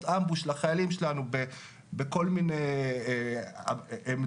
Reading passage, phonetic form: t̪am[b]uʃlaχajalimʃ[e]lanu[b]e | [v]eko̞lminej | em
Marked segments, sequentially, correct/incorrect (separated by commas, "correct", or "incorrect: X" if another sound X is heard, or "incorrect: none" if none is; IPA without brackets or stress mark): correct, correct, correct, incorrect: b